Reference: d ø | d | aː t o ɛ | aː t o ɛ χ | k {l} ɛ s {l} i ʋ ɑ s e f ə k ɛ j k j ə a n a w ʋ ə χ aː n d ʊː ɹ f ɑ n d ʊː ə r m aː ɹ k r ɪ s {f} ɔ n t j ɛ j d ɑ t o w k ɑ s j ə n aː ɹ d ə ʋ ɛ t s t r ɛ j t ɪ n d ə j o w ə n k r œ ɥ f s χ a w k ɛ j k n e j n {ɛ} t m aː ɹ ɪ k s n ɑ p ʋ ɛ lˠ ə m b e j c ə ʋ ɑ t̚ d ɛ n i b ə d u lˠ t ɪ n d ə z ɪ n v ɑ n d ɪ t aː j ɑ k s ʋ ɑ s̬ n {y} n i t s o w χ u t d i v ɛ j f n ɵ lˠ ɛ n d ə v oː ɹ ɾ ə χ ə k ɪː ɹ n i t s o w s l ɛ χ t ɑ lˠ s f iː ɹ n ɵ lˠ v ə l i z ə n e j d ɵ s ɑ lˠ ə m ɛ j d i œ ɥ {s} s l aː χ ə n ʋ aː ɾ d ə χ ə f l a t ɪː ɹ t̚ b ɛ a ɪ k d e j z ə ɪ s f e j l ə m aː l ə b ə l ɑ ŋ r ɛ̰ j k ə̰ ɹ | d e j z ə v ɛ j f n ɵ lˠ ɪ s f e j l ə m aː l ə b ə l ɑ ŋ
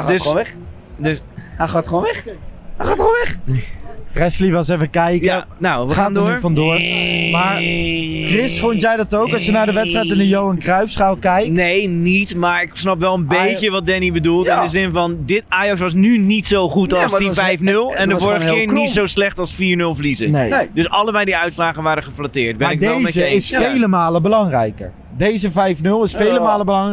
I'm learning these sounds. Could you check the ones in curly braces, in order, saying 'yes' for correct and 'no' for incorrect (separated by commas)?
no, yes, yes, no, yes, no